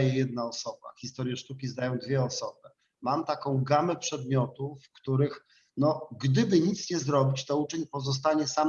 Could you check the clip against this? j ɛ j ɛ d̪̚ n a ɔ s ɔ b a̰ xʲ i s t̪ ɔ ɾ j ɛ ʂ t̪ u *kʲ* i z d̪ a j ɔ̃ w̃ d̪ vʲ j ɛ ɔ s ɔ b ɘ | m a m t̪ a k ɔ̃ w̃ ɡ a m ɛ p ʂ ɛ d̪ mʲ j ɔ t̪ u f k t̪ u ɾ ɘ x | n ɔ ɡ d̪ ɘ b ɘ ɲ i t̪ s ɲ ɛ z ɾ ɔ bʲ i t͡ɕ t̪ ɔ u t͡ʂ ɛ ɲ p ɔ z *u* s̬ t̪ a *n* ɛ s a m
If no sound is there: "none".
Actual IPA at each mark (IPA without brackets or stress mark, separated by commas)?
kʲ, ɔ, ɲ